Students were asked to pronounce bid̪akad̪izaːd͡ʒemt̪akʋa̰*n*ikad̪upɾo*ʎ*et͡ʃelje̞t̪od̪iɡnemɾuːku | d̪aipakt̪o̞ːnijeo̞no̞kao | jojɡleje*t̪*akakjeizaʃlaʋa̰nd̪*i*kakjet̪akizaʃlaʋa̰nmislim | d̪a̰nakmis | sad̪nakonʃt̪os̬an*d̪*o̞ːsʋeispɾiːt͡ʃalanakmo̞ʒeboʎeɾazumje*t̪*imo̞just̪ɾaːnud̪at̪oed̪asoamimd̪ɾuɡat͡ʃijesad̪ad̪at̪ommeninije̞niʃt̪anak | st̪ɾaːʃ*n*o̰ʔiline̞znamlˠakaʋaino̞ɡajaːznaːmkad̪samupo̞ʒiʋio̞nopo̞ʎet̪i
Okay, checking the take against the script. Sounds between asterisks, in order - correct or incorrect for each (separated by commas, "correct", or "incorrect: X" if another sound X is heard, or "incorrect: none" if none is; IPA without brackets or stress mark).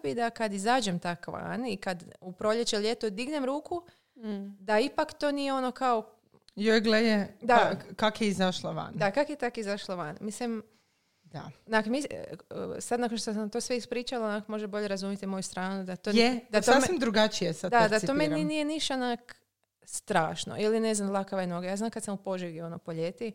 correct, correct, incorrect: d̪, incorrect: a, incorrect: t̪, correct, correct